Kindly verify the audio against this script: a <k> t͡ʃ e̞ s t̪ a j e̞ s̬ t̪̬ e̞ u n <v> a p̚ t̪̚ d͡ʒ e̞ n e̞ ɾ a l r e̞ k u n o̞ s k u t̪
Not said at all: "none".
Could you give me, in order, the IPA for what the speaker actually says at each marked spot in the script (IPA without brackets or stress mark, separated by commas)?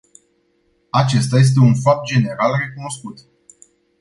none, f